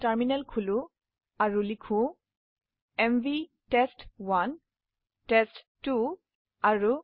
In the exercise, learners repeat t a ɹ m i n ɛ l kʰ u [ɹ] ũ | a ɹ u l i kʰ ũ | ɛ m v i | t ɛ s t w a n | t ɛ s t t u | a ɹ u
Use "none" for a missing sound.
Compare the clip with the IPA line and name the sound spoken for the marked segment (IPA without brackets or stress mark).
l